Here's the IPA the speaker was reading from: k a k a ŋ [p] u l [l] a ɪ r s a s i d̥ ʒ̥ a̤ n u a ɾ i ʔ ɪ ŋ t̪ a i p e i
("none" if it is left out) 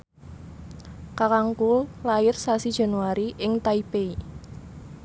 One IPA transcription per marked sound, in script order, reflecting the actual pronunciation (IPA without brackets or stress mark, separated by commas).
k, l